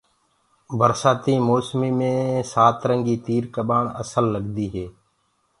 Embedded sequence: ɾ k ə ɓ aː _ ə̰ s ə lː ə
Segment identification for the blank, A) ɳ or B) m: A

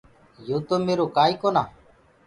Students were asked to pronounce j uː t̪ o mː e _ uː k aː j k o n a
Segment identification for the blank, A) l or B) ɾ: B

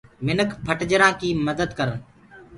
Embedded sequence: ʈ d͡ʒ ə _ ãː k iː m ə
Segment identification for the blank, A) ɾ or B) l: A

